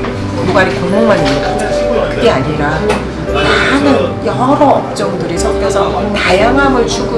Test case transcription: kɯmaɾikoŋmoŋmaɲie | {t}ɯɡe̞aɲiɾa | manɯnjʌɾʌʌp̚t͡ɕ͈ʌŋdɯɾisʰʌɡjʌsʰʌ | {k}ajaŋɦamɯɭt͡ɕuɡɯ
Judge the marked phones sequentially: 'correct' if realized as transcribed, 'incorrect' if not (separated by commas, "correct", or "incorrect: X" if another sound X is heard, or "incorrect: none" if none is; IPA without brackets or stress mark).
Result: incorrect: k, incorrect: t